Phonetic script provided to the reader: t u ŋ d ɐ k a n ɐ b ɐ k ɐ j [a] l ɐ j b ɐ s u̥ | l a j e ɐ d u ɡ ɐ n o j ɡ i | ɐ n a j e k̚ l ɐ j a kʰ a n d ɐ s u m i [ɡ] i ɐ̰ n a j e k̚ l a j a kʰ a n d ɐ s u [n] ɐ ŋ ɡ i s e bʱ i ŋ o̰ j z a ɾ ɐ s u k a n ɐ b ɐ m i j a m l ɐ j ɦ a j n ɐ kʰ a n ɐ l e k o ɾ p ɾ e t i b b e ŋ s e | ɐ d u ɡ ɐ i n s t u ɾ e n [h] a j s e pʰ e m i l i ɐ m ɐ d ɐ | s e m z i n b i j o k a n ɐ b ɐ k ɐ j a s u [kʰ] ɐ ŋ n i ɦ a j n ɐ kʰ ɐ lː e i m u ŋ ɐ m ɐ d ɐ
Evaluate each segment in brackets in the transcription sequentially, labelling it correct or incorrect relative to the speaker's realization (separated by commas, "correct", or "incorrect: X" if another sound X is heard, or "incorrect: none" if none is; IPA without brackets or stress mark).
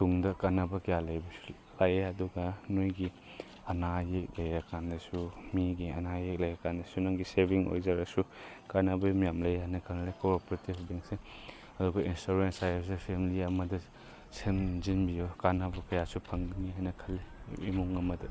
correct, correct, correct, incorrect: s, incorrect: pʰ